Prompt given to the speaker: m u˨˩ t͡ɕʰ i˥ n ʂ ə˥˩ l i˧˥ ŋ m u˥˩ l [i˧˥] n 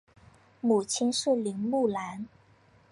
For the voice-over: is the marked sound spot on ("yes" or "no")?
no